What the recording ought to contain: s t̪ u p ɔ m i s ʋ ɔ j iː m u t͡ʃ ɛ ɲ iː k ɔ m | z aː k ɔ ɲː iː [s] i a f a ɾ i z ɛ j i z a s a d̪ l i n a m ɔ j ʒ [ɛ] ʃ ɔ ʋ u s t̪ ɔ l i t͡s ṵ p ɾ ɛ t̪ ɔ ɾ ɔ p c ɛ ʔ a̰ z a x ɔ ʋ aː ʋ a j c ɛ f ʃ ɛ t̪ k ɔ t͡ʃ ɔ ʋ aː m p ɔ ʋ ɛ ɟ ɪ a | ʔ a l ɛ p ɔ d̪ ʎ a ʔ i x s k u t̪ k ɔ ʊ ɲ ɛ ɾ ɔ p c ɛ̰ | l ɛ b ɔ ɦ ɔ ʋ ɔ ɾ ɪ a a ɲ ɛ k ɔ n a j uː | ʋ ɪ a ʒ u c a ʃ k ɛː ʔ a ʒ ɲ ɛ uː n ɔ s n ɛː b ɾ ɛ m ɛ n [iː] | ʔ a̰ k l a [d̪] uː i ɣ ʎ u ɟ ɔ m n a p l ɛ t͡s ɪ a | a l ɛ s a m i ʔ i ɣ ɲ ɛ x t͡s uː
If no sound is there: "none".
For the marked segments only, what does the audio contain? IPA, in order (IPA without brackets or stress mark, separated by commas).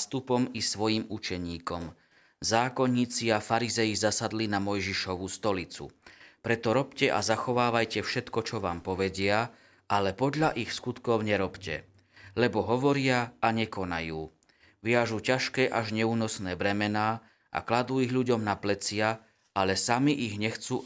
t͡s, i, aː, d̪